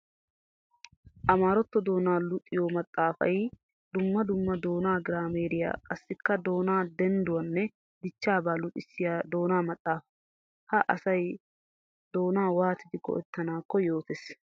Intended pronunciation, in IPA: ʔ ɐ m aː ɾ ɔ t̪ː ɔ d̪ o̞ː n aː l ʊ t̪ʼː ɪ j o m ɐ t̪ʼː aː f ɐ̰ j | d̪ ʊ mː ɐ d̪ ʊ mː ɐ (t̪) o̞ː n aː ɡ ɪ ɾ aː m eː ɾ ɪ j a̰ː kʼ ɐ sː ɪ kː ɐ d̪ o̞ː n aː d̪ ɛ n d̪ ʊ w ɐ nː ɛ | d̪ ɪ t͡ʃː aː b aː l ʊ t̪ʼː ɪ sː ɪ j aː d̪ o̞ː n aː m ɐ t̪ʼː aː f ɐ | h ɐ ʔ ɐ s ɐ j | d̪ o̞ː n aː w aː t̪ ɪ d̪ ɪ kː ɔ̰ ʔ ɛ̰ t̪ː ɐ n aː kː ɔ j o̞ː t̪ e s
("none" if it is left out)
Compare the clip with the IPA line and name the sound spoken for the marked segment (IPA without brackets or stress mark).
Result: d̪